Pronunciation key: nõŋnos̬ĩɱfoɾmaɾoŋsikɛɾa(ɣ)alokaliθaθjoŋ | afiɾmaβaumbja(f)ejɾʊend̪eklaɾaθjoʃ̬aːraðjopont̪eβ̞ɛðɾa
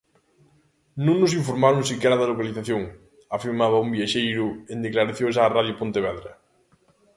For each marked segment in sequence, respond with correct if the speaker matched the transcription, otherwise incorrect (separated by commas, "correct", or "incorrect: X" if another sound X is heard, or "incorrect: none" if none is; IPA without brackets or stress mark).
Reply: incorrect: ð, incorrect: ʃ